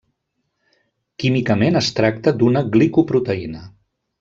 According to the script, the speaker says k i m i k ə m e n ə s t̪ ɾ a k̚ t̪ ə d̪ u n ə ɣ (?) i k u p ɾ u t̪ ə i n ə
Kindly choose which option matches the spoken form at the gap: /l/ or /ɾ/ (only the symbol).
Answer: l